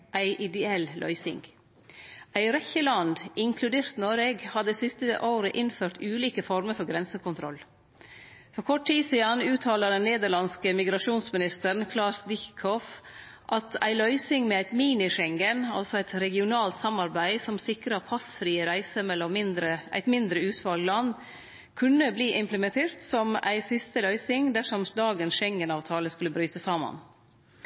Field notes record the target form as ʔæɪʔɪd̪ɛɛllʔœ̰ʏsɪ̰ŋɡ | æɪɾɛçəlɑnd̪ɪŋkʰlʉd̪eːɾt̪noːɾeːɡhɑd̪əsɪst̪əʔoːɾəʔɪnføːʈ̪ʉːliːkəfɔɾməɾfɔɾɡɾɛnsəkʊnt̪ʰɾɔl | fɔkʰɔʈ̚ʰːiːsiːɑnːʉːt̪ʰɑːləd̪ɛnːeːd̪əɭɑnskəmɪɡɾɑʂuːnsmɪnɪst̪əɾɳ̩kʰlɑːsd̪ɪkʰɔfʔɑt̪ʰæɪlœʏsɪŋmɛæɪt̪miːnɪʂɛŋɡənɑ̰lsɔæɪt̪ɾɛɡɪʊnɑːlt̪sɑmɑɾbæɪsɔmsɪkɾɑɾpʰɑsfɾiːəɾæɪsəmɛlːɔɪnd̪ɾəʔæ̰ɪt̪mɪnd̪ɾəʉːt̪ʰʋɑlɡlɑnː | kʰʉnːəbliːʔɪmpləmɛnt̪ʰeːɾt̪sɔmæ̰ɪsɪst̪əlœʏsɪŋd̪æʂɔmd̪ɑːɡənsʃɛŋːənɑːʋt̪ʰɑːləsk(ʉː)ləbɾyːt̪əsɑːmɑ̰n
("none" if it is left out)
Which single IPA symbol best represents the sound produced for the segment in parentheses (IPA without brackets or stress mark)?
ʉ